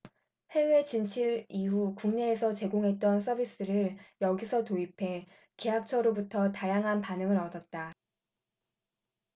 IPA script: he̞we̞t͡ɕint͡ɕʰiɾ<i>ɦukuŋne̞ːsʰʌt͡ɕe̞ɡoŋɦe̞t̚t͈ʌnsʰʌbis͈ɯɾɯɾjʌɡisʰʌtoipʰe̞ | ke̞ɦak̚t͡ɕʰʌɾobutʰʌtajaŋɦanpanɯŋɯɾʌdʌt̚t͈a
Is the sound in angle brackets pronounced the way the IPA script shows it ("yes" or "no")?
yes